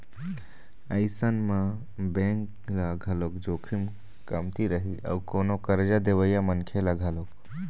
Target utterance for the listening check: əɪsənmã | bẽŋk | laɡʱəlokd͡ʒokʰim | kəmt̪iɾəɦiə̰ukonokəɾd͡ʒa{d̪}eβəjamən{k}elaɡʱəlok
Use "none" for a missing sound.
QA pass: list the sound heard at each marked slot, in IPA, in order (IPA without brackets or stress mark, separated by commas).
d̪, kʰ